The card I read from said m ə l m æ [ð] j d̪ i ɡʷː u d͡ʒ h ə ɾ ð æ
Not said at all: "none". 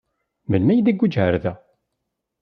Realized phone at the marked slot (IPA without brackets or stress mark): none